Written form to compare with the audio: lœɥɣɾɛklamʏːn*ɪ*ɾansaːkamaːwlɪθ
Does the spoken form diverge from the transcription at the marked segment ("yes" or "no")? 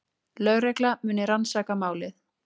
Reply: no